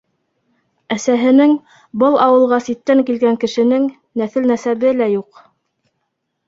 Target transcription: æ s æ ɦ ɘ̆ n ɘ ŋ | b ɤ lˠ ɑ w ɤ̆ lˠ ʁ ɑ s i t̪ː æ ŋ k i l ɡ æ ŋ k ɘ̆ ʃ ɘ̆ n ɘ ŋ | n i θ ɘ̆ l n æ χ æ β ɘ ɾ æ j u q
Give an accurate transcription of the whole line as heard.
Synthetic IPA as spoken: æ s æ ɦ ɘ̆ n ɘ ŋ | b ɤ lˠ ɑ w ɤ̆ lˠ ʁ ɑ s i t̪ː æ ŋ k i l ɡ æ ŋ k ɘ̆ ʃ ɘ̆ n ɘ ŋ | n æ θ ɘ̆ l n æ s æ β ɘ l æ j u q